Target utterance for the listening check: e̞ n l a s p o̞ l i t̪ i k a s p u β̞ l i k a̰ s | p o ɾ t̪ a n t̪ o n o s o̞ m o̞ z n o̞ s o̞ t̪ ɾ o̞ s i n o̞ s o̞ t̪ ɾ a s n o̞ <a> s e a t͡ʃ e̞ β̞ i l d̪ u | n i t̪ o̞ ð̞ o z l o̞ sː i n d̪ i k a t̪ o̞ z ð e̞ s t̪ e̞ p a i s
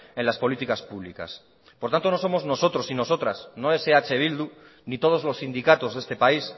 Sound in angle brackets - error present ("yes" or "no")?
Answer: yes